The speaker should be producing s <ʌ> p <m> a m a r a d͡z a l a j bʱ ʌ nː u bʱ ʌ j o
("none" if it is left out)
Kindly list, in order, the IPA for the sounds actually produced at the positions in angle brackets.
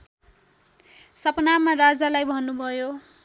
ʌ, n

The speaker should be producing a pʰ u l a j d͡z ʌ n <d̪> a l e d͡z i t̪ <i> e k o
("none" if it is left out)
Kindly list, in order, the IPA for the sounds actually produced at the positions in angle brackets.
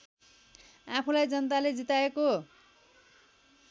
t̪, a

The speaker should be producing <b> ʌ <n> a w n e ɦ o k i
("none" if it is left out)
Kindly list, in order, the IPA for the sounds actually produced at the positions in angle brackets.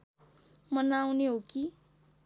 m, n

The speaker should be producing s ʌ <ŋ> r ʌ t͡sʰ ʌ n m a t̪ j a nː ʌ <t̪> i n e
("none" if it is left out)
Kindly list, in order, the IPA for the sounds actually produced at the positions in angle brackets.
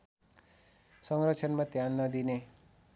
ŋ, d̪

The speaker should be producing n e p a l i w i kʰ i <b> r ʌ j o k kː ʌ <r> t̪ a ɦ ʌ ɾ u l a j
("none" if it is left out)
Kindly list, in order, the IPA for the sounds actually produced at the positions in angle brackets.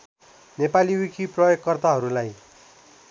p, r

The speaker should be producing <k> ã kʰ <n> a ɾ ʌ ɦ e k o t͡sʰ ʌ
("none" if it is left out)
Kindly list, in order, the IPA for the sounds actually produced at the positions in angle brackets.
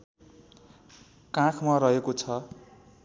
k, m

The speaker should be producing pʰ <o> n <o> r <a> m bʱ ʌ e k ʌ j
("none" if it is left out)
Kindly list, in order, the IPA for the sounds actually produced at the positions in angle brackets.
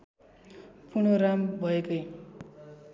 u, o, a

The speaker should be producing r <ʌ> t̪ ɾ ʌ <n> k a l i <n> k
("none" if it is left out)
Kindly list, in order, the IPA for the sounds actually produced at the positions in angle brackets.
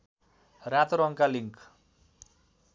a, ŋ, ŋ

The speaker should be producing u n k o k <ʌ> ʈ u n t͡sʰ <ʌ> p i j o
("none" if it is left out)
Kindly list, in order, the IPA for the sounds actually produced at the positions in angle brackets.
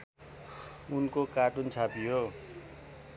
a, a

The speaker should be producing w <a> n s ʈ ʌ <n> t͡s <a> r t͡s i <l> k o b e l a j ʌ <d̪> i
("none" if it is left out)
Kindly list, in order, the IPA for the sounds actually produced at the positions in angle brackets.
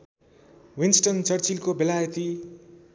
i, n, ʌ, l, t̪

